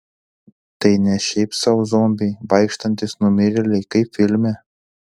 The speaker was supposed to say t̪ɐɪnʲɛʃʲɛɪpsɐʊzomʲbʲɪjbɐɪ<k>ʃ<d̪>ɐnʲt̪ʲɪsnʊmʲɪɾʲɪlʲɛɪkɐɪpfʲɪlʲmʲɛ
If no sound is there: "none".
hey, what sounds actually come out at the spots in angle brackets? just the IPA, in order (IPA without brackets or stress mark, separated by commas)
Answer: k, t̪